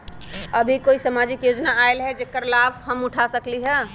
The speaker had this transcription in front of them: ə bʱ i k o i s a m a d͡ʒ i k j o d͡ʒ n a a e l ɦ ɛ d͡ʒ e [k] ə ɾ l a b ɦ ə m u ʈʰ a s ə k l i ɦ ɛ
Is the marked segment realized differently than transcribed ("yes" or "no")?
no